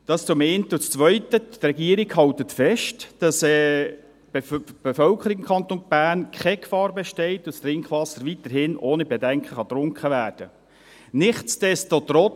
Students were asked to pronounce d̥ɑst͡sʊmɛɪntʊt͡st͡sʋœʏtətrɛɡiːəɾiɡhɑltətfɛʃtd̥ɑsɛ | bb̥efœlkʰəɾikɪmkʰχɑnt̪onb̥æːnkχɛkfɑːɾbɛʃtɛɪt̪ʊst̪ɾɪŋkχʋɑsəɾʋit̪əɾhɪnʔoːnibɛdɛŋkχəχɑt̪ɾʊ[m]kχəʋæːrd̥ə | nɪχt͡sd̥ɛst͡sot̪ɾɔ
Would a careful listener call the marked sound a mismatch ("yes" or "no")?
yes